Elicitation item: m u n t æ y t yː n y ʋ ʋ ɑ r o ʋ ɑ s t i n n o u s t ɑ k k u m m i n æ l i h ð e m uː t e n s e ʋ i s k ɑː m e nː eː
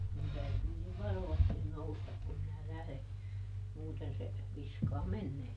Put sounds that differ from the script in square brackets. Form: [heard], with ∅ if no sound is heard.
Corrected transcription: m u n t æ y t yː n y ʋ ʋ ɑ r o ʋ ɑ s t i n n o u s t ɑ k k u m m i n æ l [æ] h ð e m uː t e n s e ʋ i s k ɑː m e nː eː